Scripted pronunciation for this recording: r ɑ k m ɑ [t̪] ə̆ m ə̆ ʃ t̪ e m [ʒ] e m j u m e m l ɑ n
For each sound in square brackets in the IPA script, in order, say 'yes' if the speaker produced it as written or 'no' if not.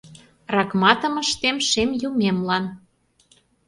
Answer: yes, no

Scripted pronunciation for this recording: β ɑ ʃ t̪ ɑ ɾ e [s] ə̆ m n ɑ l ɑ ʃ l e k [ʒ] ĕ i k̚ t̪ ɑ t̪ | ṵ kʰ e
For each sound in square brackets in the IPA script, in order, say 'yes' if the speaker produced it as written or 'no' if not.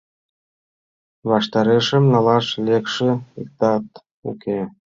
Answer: no, no

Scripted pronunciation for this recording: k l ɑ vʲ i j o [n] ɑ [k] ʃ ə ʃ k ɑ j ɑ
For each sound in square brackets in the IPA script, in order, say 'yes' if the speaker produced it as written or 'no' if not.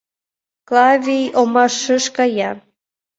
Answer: no, no

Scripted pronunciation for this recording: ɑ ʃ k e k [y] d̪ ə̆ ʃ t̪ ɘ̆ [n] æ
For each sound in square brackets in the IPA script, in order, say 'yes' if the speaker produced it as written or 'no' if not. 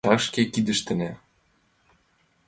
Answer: no, yes

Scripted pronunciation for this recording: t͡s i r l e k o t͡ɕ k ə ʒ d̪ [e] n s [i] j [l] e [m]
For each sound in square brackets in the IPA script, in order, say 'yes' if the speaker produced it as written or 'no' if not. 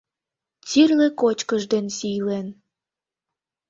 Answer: yes, yes, yes, no

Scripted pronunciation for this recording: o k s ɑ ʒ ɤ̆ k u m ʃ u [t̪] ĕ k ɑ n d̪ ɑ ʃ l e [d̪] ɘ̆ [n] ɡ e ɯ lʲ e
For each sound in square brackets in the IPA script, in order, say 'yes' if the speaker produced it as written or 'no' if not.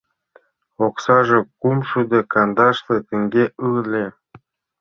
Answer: no, no, no

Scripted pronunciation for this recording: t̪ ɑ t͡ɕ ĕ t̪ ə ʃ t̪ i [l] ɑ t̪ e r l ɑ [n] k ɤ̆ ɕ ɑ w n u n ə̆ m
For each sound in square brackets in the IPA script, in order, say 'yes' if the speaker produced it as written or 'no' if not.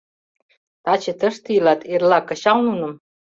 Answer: yes, no

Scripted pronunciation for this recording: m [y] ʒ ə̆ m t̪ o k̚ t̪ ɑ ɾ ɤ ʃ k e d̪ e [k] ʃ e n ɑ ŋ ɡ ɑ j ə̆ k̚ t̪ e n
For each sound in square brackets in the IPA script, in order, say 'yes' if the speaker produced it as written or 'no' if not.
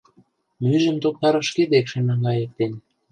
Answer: yes, yes

